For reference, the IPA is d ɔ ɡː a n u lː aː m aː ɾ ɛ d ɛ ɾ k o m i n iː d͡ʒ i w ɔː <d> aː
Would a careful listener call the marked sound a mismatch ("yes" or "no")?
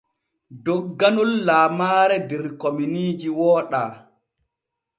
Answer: yes